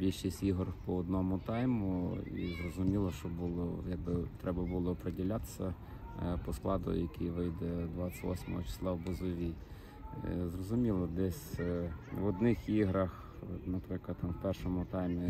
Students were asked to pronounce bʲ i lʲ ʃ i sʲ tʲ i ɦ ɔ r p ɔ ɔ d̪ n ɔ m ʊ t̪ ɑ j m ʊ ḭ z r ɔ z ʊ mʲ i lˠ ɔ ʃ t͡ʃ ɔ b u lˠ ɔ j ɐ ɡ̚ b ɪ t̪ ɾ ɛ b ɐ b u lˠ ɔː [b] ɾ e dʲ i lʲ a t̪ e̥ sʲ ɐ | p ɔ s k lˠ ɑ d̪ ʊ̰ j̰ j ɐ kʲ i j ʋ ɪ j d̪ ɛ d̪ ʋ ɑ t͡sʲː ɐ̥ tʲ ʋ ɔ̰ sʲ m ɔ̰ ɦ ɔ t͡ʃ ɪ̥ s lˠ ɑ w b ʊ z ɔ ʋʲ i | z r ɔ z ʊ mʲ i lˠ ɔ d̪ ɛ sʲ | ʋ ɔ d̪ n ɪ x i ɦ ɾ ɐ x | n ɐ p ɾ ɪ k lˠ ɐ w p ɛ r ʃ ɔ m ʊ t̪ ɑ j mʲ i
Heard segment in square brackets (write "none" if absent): p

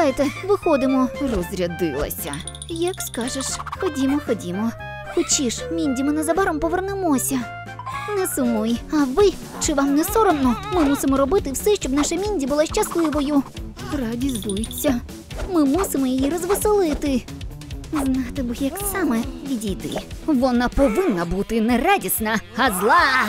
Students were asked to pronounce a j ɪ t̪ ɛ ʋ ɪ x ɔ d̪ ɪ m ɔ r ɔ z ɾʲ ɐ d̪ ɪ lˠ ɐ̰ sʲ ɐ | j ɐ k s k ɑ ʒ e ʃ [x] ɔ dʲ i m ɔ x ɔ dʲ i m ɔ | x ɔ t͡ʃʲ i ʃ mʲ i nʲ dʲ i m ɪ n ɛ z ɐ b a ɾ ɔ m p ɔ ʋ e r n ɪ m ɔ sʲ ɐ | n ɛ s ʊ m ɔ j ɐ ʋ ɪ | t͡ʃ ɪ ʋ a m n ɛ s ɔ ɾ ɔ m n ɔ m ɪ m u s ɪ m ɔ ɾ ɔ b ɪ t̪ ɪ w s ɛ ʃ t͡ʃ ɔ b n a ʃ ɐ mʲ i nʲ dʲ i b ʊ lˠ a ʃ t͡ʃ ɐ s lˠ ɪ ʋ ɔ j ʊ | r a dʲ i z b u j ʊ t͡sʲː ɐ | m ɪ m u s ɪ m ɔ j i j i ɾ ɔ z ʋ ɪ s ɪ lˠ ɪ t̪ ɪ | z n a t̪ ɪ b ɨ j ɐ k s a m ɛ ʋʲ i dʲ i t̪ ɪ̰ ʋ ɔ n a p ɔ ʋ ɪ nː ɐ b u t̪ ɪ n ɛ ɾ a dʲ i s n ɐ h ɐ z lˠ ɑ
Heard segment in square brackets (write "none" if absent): x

